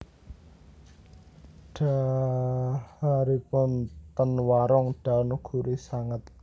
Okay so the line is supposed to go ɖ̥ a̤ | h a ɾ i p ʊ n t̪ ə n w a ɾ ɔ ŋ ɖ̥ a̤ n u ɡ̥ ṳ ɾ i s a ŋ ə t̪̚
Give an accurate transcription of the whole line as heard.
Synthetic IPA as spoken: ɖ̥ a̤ | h a ɾ i p ʊ n t̪ ə n w a ɾ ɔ ŋ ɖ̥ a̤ n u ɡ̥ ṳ ɾ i s a ŋ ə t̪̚